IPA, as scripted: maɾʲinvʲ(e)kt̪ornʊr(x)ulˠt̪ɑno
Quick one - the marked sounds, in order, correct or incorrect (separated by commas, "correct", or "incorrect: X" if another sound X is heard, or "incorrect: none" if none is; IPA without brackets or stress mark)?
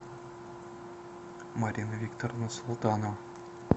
incorrect: i, incorrect: s